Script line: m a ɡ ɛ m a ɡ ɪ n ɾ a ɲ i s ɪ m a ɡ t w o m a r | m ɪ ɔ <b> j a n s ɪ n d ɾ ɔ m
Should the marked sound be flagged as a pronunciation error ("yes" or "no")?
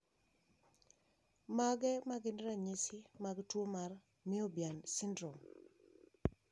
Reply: no